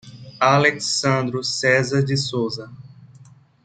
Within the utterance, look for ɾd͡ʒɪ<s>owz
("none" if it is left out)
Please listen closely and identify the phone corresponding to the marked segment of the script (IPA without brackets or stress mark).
s